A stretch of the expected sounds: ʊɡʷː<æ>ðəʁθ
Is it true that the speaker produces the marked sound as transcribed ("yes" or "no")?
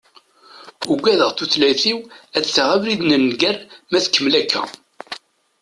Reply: yes